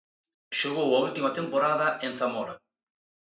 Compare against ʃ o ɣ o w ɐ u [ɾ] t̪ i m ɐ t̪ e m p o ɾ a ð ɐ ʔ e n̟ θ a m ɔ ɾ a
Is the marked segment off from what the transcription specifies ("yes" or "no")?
yes